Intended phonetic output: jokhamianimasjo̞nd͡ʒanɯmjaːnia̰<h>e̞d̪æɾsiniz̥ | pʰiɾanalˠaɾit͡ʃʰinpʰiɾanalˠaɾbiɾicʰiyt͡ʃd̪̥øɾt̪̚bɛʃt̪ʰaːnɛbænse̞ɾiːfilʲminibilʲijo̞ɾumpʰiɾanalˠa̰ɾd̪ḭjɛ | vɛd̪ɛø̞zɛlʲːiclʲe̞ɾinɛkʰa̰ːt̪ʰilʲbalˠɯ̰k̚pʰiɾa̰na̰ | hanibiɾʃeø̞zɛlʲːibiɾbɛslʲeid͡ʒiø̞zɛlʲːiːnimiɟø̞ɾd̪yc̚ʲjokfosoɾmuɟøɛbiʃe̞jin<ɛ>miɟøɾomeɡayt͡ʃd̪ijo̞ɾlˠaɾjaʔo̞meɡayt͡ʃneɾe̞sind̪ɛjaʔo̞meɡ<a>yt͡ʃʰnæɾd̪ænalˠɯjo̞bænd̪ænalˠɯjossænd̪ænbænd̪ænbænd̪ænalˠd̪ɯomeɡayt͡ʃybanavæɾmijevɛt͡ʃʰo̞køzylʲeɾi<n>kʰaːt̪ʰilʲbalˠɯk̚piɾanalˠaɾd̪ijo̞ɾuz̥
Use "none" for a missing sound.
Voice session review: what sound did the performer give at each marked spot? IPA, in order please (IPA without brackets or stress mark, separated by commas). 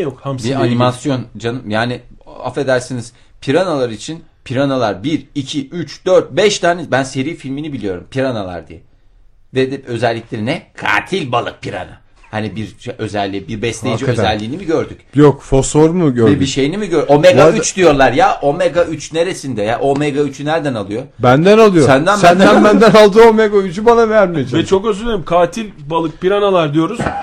f, i, a, m